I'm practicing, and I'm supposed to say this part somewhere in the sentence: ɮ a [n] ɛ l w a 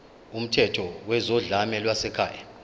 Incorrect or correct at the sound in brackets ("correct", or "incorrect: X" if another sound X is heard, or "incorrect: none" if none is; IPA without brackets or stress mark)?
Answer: incorrect: m